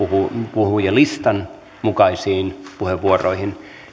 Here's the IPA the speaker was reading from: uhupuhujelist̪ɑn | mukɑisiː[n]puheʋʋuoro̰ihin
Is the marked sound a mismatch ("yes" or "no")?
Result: no